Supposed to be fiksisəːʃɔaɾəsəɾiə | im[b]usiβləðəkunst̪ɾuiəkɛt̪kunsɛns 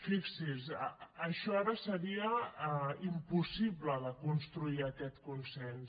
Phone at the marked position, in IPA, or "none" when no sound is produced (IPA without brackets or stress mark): p